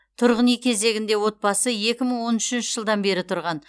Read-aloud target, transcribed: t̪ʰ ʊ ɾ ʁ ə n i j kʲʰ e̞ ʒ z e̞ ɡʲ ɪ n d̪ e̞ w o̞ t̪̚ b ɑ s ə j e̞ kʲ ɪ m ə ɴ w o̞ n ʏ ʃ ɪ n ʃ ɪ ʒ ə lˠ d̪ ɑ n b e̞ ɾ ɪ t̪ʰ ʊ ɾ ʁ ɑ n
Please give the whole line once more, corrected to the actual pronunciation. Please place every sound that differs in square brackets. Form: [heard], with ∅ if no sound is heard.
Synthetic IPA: t̪ʰ ʊ ɾ ʁ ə n i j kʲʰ e̞ [∅] z e̞ ɡʲ ɪ n d̪ e̞ w o̞ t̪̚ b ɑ s ə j e̞ kʲ ɪ m ə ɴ w o̞ n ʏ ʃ ɪ n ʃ ɪ ʒ ə lˠ d̪ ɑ n b e̞ ɾ ɪ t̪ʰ ʊ ɾ ʁ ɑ n

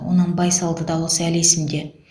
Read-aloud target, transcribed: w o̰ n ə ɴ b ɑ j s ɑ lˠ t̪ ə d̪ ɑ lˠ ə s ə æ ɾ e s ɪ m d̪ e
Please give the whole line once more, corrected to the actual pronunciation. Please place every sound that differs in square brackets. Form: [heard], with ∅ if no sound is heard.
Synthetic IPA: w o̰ n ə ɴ b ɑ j s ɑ lˠ [d̪] ə d̪ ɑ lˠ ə s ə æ [l] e s ɪ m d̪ e

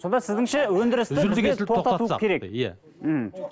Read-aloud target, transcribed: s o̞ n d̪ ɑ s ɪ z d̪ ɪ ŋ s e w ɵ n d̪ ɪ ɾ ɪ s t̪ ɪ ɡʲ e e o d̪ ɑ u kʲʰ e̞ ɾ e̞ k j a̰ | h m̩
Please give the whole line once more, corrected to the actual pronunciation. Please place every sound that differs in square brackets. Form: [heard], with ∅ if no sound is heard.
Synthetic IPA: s o̞ n d̪ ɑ s ɪ z d̪ ɪ ŋ [ʃ] e w ɵ n d̪ ɪ ɾ ɪ s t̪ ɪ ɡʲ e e o [t̪] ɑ u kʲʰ e̞ ɾ e̞ k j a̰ | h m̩

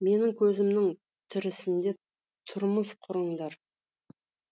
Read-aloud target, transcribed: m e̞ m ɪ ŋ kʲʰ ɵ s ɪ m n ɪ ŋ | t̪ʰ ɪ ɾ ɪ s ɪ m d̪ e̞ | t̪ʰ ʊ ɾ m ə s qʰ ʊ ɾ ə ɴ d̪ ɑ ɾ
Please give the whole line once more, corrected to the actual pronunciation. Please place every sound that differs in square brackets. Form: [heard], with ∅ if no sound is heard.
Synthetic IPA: m e̞ [n] ɪ ŋ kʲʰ ɵ [z] ɪ m n ɪ ŋ | t̪ʰ ɪ ɾ ɪ s ɪ [n] d̪ e̞ | t̪ʰ ʊ ɾ m ə s qʰ ʊ ɾ ə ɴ d̪ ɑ ɾ

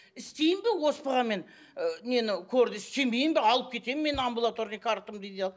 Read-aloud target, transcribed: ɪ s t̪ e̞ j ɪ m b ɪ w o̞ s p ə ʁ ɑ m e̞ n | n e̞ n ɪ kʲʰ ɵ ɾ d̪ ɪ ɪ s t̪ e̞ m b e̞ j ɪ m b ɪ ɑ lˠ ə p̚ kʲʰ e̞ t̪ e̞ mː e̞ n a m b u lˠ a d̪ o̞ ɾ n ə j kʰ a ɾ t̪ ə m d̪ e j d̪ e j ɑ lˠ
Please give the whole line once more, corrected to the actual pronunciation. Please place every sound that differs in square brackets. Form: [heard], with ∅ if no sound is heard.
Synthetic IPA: ɪ s t̪ e̞ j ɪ m b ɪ w o̞ s p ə ʁ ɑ m e̞ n | n e̞ n ɪ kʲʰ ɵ ɾ d̪ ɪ ɪ s t̪ e̞ m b e̞ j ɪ m b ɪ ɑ lˠ ə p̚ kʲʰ e̞ t̪ e̞ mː e̞ n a m b u lˠ a [t̪] o̞ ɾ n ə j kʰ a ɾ t̪ ə m d̪ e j d̪ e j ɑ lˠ

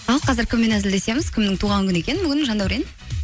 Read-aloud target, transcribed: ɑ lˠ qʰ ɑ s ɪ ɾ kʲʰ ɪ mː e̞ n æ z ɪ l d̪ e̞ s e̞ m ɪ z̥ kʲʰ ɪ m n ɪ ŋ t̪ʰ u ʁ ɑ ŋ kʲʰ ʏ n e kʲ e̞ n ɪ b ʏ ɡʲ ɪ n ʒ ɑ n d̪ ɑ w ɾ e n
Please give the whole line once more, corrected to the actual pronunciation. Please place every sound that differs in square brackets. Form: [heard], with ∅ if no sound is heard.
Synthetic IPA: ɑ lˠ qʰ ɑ [z] ɪ ɾ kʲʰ ɪ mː e̞ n æ z ɪ l d̪ e̞ s e̞ m ɪ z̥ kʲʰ ɪ m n ɪ ŋ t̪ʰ u ʁ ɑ ŋ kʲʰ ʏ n e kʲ e̞ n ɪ b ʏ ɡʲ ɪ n ʒ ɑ n d̪ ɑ w ɾ e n

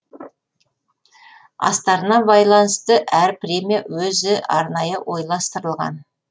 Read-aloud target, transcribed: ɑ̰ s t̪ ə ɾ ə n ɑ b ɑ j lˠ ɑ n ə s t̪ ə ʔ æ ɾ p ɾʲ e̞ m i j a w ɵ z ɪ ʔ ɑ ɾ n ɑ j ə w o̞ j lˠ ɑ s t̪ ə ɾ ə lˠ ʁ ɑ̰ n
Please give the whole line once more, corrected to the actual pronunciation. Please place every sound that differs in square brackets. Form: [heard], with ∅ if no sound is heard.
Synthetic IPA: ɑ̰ s t̪ [ɑ] ɾ ə n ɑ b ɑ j lˠ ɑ n ə s t̪ ə ʔ æ ɾ p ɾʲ e̞ m i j a w ɵ z ɪ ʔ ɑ ɾ n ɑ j ə w o̞ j lˠ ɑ s t̪ ə ɾ ə lˠ ʁ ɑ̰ n

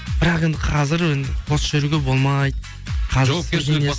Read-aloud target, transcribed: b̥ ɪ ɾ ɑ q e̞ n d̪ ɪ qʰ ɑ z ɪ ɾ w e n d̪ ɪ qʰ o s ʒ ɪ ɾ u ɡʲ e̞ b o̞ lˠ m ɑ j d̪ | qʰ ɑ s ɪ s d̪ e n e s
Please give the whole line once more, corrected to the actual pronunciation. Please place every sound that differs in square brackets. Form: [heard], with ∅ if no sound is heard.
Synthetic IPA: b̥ ɪ ɾ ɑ q e̞ n d̪ ɪ qʰ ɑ z ɪ ɾ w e n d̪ ɪ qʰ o s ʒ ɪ ɾ u ɡʲ e̞ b o̞ lˠ m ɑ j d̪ | qʰ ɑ [z] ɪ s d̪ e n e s

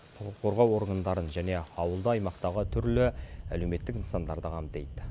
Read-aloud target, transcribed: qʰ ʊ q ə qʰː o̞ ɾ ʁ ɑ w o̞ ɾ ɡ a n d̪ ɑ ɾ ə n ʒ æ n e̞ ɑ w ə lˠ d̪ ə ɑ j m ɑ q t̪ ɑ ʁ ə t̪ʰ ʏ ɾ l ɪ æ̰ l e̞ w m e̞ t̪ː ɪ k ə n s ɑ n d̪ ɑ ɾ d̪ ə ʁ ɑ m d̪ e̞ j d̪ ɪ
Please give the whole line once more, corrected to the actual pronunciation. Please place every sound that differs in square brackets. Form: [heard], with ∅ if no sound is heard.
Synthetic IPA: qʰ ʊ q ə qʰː o̞ ɾ ʁ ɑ w o̞ ɾ ɡ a n d̪ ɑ ɾ ə n ʒ æ n e̞ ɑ w ə lˠ d̪ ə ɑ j m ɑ q t̪ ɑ ʁ ə t̪ʰ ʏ ɾ l ɪ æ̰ l e̞ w m e̞ t̪ː ɪ k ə n s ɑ n d̪ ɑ ɾ d̪ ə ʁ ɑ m d̪ e̞ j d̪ ɪ

